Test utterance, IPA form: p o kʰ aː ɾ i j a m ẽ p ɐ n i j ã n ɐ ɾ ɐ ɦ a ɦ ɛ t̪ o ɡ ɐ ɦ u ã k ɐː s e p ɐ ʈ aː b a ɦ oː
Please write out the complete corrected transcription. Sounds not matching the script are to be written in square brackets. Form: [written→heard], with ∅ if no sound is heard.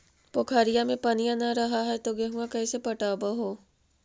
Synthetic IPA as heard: p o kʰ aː ɾ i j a m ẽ p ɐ n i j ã n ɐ ɾ ɐ ɦ a ɦ ɛ t̪ o ɡ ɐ ɦ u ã k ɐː s e p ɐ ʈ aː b a ɦ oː